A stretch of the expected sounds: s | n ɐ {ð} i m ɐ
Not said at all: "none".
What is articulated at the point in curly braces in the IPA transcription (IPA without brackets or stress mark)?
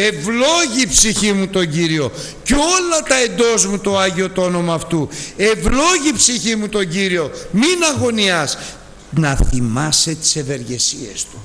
θ